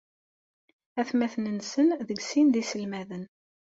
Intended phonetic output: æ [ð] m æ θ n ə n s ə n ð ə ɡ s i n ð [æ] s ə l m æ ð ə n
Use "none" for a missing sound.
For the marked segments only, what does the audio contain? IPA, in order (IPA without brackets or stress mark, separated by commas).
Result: θ, i